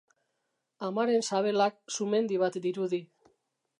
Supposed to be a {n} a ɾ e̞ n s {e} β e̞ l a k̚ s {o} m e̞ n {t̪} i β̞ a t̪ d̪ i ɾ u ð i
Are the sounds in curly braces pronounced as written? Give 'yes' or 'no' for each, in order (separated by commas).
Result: no, no, no, no